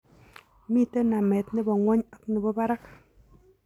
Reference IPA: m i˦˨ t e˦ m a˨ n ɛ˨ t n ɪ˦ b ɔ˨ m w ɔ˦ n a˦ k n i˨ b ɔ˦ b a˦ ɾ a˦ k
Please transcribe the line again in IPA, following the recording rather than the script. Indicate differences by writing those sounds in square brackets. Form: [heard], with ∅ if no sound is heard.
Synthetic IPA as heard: m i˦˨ t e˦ [n] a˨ [m] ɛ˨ t n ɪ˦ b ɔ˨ [ŋ] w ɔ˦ [ɲ] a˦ k n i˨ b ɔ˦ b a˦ ɾ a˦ k